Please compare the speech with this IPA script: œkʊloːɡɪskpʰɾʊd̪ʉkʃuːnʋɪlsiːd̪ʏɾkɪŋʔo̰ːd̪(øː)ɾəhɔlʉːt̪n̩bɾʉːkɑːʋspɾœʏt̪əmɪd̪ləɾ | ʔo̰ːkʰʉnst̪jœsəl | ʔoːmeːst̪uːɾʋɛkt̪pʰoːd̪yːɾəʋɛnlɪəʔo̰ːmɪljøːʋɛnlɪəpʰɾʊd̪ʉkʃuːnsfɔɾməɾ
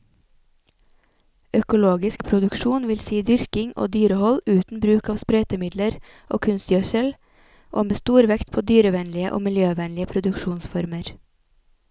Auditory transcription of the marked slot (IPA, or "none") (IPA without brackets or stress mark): yː